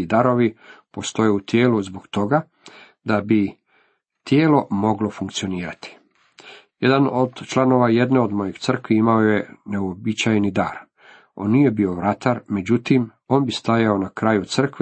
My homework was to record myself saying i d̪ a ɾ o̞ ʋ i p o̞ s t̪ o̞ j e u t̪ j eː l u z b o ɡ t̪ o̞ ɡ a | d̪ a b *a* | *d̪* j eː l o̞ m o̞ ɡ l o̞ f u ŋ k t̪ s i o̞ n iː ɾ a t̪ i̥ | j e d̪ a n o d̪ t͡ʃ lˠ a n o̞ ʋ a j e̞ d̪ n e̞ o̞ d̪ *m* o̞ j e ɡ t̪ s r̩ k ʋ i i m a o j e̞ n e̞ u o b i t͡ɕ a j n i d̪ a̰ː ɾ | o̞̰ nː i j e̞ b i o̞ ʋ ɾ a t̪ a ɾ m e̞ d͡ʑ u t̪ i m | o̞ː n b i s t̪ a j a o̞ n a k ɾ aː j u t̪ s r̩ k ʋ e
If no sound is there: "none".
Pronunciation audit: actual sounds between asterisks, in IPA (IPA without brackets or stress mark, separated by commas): i, t̪, m